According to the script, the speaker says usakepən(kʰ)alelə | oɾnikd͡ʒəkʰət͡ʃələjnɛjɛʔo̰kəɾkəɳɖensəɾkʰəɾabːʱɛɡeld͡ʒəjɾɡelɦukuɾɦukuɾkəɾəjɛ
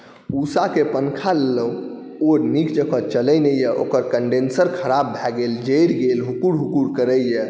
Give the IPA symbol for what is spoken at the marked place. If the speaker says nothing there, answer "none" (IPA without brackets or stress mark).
kʰ